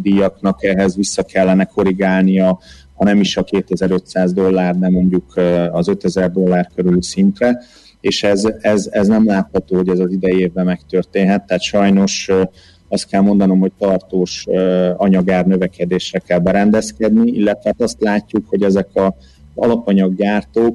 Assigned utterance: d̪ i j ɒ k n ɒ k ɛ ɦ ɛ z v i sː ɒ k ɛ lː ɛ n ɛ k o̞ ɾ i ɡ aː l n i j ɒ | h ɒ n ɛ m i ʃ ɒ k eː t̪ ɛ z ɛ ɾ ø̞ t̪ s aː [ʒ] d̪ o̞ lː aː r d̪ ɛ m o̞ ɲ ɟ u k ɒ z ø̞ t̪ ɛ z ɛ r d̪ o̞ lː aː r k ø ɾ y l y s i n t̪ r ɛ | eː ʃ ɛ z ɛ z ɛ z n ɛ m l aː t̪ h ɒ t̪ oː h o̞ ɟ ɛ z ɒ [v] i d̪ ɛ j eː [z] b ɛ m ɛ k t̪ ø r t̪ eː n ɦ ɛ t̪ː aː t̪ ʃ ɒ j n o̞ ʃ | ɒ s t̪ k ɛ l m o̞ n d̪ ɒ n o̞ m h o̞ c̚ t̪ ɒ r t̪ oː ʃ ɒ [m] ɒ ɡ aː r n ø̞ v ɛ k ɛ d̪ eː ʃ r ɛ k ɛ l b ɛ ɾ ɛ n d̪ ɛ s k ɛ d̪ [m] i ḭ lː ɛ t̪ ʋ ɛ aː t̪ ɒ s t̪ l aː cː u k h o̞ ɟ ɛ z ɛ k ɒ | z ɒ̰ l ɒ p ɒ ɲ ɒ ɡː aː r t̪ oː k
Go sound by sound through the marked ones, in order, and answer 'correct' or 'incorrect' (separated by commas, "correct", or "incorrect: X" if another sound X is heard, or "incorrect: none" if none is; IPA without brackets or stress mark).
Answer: incorrect: z, incorrect: z, incorrect: v, incorrect: ɲ, incorrect: n